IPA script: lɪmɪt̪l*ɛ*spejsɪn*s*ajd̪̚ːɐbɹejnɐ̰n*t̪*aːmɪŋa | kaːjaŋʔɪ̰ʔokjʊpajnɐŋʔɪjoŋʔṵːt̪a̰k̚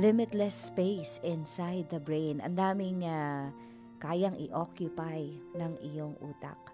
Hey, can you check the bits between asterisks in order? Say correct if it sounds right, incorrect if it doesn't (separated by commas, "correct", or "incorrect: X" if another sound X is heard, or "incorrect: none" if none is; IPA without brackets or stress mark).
correct, correct, incorrect: d̪